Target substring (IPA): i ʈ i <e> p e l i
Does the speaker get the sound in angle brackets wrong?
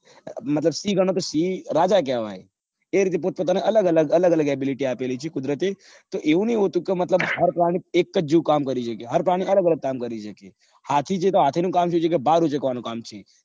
yes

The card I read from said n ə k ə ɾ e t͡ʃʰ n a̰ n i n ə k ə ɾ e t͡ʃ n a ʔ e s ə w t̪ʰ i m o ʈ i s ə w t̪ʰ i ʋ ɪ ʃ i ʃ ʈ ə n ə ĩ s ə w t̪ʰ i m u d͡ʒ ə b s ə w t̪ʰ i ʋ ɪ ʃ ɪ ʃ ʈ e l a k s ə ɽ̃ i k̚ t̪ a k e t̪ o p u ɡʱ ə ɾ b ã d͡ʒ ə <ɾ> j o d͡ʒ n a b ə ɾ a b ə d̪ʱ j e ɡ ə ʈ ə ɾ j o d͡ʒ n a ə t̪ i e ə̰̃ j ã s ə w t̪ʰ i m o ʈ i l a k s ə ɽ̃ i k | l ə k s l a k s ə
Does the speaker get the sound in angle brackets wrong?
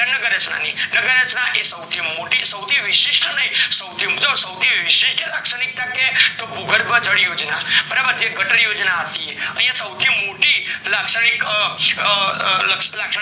yes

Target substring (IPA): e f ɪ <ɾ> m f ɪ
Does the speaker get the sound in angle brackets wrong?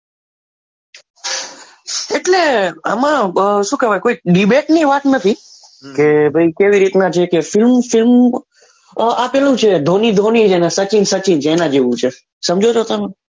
yes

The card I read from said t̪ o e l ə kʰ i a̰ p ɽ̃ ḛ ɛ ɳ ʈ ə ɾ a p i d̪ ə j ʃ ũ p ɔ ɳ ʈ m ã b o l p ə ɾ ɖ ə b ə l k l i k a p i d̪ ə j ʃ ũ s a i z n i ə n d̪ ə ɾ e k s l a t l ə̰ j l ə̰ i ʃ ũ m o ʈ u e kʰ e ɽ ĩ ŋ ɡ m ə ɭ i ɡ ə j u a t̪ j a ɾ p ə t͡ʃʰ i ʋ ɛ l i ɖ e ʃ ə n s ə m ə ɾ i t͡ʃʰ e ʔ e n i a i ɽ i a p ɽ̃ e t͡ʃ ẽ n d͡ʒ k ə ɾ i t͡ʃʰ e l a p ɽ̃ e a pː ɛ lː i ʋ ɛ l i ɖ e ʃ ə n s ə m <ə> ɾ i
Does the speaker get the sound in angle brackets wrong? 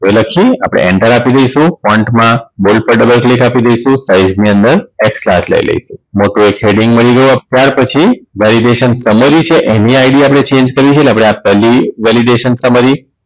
no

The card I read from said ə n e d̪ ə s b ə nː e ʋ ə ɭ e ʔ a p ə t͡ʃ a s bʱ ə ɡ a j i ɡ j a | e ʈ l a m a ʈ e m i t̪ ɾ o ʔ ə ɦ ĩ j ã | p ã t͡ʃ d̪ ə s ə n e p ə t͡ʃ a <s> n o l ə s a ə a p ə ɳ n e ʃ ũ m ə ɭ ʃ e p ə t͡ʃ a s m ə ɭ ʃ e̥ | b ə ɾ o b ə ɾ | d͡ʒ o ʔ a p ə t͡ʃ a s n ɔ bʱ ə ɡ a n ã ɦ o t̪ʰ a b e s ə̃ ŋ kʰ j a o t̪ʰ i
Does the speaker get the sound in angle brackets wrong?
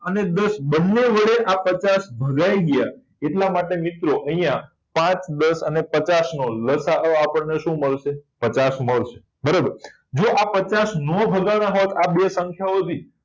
no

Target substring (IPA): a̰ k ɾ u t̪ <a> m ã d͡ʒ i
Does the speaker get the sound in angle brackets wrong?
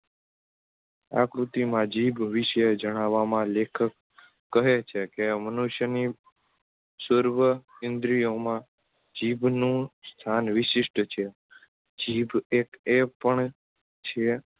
yes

